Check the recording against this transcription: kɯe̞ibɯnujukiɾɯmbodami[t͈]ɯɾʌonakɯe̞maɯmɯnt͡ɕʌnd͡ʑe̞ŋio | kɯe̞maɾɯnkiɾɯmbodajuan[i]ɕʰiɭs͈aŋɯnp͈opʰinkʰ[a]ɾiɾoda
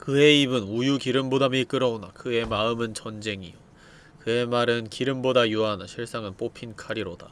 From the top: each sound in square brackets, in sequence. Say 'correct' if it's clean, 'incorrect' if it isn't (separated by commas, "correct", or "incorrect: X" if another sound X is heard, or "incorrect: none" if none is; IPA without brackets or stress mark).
incorrect: k͈, incorrect: a, correct